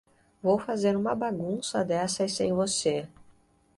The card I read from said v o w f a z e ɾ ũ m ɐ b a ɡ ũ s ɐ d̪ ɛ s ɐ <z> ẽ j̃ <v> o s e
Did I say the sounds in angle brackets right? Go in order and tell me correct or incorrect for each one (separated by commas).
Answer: incorrect, correct